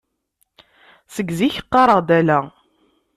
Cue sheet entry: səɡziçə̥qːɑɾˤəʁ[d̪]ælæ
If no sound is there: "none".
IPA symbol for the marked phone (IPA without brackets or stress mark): d̪